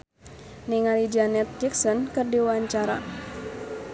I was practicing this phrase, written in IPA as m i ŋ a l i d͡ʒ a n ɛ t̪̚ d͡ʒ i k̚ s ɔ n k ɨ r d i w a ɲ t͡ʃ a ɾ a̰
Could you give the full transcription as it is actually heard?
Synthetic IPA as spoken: n i ŋ a l i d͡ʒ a n ɛ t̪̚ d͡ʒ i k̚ s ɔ n k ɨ r d i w a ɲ t͡ʃ a ɾ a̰